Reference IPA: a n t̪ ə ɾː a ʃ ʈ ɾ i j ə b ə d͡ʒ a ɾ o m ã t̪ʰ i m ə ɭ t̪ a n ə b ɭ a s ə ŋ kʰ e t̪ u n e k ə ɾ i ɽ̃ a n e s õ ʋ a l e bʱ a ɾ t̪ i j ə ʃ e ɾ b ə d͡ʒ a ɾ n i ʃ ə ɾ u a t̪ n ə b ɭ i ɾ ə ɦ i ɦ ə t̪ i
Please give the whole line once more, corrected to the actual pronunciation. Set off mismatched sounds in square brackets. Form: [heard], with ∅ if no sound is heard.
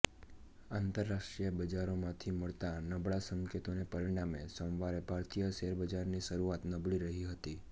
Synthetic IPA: a n t̪ ə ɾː a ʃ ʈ ɾ i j ə b ə d͡ʒ a ɾ o m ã t̪ʰ i m ə ɭ t̪ a n ə b ɭ a s ə ŋ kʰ e t̪ [o] n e [p] ə ɾ i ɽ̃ a [m] e s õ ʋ a [ɾ] e bʱ a ɾ t̪ i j ə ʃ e ɾ b ə d͡ʒ a ɾ n i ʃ ə ɾ u a t̪ n ə b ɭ i ɾ ə ɦ i ɦ ə t̪ i